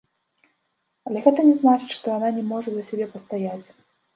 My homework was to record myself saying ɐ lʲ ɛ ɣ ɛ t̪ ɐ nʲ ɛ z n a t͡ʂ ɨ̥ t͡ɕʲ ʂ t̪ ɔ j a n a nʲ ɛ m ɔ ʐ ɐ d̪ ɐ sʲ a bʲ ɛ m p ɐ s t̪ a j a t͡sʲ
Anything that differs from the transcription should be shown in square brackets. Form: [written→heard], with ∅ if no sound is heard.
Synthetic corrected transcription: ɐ lʲ ɛ ɣ ɛ t̪ ɐ nʲ ɛ z n a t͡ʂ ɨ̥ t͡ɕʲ ʂ t̪ ɔ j a n a nʲ ɛ m ɔ ʐ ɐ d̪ ɐ sʲ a bʲ ɛ [m→∅] p ɐ s t̪ a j a t͡sʲ